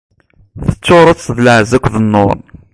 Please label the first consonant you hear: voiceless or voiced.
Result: voiceless